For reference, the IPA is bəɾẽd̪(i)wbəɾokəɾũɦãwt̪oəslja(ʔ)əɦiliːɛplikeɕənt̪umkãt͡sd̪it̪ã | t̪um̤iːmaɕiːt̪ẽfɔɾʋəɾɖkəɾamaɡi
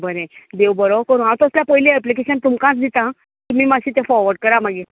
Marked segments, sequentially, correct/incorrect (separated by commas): incorrect, incorrect